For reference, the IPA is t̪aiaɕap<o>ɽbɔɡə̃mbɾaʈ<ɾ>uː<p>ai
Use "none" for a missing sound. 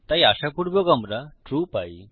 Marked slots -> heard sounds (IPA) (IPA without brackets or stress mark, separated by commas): u, ɾ, p